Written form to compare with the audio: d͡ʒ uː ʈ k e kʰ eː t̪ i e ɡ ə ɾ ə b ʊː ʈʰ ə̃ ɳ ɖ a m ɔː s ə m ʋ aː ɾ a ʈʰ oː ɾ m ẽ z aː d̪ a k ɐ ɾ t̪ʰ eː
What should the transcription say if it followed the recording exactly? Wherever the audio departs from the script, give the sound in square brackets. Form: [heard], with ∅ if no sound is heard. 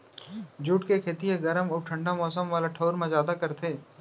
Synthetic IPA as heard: d͡ʒ uː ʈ k e kʰ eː t̪ i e ɡ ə ɾ ə [m] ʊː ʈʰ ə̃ ɳ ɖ a m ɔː s ə m ʋ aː [l] a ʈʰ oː ɾ m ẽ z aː d̪ a k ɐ ɾ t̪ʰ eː